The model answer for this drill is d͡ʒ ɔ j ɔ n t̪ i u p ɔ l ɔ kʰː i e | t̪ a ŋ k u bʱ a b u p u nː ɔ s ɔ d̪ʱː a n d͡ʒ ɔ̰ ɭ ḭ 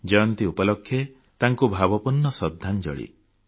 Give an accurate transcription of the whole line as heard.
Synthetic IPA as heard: d͡ʒ ɔ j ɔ n t̪ i u p ɔ l ɔ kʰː j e | t̪ a ŋ k u bʱ a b ɔ p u nː ɔ s ɔ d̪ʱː a n d͡ʒ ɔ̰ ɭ ḭ